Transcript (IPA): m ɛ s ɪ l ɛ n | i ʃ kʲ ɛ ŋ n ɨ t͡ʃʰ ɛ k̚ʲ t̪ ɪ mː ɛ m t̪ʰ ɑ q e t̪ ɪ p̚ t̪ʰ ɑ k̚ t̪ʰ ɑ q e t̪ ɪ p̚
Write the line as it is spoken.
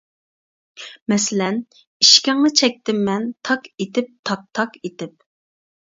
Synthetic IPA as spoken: m ɛ s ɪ l ɛ n | i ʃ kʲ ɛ ŋ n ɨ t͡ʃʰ ɛ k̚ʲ t̪ ɪ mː ɛ n t̪ʰ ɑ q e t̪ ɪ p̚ t̪ʰ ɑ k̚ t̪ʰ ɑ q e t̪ ɪ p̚